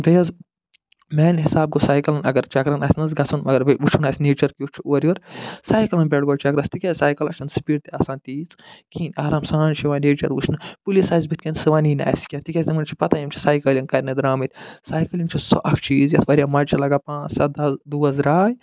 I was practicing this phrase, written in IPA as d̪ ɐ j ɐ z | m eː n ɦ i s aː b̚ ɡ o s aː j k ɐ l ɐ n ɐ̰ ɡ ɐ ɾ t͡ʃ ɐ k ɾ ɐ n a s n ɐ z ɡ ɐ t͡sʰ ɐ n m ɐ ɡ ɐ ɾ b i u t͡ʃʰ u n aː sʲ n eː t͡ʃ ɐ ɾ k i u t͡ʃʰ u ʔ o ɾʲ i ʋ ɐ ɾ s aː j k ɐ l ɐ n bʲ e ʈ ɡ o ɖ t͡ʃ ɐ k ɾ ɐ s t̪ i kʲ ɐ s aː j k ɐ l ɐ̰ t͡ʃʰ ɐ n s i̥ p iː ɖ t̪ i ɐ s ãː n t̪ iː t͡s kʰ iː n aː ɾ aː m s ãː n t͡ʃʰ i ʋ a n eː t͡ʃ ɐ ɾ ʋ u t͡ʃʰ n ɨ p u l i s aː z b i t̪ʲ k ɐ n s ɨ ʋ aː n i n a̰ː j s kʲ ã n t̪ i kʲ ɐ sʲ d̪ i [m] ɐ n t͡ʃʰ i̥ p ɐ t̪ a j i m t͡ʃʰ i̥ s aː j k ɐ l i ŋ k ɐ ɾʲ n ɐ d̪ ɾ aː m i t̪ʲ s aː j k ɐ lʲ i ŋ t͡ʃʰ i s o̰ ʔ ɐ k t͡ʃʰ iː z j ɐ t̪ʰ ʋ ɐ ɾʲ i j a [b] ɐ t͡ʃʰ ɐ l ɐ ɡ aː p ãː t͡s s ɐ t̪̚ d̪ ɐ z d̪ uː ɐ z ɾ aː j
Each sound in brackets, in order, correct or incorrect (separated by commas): correct, incorrect